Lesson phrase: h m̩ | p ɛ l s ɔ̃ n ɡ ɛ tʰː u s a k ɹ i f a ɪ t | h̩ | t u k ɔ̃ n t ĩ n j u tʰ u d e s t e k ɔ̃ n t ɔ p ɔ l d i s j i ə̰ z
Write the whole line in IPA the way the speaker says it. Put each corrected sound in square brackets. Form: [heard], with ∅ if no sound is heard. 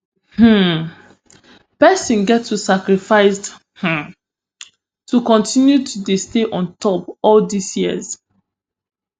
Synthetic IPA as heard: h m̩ | p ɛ [∅] s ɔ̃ n ɡ ɛ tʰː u s a k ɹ i f a ɪ [s] | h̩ | t u k ɔ̃ n t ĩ n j u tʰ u d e s t e [ʔ] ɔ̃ n t ɔ p ɔ l d i s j i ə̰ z